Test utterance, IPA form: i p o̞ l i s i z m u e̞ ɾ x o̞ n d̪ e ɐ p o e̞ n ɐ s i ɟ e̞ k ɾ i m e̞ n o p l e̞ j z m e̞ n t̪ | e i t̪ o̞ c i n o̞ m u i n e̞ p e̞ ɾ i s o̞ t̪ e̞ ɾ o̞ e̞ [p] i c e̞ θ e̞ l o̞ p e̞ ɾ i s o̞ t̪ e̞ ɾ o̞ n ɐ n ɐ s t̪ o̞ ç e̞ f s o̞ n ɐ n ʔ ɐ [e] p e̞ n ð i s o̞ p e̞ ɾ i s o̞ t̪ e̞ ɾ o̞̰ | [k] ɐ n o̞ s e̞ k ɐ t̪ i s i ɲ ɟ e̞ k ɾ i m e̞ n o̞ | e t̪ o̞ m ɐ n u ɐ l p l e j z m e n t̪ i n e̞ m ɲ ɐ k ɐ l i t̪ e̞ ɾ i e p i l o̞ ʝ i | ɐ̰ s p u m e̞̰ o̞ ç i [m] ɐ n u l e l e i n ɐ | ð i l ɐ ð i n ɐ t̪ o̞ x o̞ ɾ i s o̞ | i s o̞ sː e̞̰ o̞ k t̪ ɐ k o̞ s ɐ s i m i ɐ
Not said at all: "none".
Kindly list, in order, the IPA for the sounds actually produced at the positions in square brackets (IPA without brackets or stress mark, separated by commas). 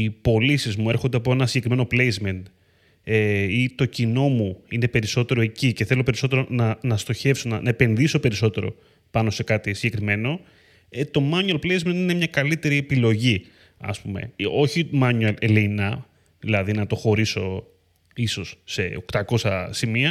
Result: c, e, p, m